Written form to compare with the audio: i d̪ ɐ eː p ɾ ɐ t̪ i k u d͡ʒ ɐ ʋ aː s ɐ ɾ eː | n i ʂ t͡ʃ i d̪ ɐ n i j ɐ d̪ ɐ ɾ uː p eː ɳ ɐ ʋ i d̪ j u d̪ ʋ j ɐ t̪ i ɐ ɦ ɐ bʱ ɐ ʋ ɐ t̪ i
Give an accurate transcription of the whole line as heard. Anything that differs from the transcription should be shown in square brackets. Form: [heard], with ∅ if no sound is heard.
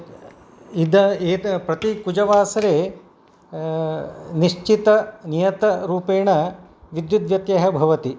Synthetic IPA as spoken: i d̪ ɐ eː p ɾ ɐ t̪ i k u d͡ʒ ɐ ʋ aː s ɐ ɾ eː | n i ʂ t͡ʃ i [t̪] ɐ n i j ɐ [t̪] ɐ ɾ uː p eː ɳ ɐ ʋ i d̪ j u d̪ ʋ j ɐ t̪ [j] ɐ ɦ ɐ bʱ ɐ ʋ ɐ t̪ i